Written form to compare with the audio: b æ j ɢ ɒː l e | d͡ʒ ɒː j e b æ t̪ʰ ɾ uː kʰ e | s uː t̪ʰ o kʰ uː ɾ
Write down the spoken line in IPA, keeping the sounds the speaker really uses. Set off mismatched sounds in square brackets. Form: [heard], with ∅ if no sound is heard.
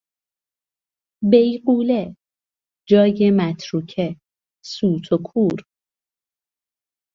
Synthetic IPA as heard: b [e] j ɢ [uː] l e | d͡ʒ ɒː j e [m] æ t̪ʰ ɾ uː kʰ e | s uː t̪ʰ o kʰ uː ɾ